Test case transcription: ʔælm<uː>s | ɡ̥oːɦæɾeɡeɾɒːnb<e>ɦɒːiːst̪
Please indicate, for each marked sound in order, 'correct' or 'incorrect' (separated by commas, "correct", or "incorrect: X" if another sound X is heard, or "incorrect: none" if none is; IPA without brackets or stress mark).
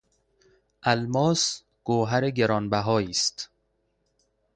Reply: incorrect: ɒː, incorrect: æ